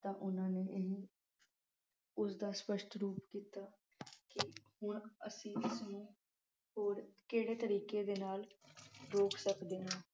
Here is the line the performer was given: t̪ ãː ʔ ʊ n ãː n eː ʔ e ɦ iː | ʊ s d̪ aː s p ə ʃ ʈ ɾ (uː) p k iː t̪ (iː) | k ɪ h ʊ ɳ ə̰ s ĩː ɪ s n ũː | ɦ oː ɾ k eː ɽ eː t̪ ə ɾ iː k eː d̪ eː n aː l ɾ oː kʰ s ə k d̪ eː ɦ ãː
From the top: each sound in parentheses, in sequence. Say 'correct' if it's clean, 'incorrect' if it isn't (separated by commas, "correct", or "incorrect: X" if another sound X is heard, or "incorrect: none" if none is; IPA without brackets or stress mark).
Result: correct, incorrect: aː